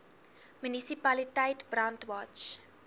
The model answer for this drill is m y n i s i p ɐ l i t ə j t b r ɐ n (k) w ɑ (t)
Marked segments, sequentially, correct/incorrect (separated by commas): incorrect, incorrect